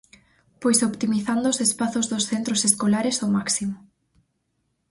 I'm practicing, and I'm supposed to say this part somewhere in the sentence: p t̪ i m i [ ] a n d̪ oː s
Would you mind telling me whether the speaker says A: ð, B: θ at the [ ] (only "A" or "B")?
B